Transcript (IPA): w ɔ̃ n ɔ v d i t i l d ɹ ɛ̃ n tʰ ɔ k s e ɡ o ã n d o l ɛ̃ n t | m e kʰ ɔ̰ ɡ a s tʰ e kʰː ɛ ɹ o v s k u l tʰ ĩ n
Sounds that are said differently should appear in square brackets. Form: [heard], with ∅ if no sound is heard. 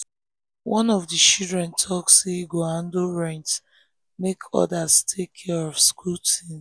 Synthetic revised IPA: w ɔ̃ n ɔ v d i [t͡ʃ] i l d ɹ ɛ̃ n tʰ ɔ k s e ɡ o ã n d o [ɹ] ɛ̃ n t | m e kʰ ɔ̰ [d] a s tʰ e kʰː ɛ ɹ [ɔ] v s k u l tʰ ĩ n